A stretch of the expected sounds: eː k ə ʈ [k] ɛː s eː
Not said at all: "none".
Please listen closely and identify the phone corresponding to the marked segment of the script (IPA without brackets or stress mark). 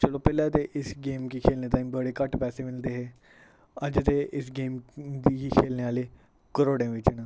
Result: p